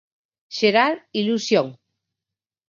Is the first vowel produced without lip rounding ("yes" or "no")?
yes